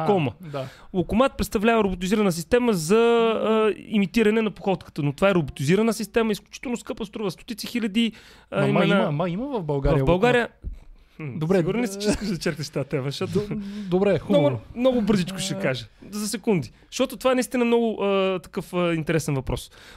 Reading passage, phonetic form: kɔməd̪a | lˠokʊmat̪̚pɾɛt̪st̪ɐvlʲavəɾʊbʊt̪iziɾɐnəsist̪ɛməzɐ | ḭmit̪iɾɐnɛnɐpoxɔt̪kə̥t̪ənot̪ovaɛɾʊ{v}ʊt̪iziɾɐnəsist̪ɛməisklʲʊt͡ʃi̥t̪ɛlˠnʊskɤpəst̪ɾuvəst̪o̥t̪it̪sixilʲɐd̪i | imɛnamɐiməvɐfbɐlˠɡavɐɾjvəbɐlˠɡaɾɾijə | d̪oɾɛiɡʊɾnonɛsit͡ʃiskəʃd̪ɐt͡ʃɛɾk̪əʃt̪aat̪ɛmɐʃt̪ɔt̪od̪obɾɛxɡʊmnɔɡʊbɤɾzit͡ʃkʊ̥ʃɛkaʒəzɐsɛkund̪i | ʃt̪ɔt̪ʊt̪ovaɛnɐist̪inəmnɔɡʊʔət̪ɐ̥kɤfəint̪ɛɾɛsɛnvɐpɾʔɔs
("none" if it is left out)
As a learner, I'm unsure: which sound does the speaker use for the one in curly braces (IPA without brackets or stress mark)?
b